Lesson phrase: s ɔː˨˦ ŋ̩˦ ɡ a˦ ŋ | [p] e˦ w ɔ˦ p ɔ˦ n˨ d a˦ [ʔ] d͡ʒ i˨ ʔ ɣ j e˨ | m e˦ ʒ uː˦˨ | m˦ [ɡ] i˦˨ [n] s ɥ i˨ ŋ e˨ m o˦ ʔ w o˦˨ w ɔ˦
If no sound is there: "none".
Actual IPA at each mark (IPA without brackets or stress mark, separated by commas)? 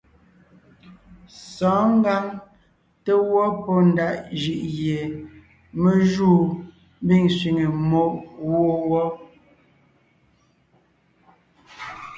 t, ʔ, b, ŋ